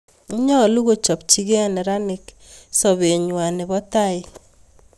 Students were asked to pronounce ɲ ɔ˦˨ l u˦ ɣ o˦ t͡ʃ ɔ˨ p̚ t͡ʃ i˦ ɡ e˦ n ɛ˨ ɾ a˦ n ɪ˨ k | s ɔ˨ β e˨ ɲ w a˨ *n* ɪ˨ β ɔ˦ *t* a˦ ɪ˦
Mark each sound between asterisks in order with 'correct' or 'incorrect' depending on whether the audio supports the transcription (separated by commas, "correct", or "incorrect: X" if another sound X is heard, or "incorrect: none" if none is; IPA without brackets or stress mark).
correct, correct